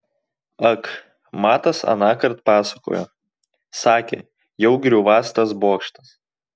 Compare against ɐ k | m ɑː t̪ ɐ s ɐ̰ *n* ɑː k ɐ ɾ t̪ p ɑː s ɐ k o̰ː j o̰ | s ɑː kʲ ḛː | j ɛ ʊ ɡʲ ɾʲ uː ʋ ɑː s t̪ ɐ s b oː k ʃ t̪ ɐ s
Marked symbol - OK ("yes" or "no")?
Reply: yes